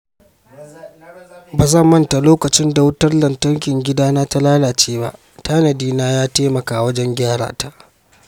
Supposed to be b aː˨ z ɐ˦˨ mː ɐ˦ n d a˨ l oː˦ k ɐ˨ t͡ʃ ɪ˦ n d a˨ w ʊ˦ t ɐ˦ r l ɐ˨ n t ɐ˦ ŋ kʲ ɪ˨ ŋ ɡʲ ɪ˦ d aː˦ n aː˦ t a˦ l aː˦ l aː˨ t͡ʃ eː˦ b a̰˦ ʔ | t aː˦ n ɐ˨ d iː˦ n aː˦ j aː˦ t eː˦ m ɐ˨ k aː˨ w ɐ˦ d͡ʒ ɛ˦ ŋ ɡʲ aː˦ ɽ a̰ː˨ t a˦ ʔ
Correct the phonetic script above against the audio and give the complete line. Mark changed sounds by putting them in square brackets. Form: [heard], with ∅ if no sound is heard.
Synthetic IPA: b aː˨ z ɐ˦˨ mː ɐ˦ n [t] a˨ l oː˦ k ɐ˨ t͡ʃ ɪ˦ n d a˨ w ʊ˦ t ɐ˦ r l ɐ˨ n t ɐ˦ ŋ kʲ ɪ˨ ŋ ɡʲ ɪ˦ d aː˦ n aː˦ t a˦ l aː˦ l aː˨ t͡ʃ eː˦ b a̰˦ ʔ | t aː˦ n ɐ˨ d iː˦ n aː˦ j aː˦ t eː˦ m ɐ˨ k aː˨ w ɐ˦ d͡ʒ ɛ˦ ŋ ɡʲ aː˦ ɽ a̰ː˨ t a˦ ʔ